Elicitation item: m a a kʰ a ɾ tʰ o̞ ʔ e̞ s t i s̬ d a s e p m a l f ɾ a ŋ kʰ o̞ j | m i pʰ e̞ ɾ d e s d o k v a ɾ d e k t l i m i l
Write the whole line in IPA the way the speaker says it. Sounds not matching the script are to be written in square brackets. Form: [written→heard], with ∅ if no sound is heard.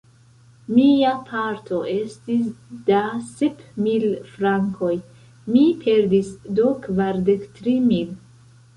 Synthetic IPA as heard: m [a→i] a [kʰ→pʰ] a ɾ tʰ o̞ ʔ e̞ s t i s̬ d a s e p m [a→i] l f ɾ a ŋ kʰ o̞ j | m i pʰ e̞ ɾ d [e→i] s d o k v a ɾ d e k t [l→ɾ] i m i l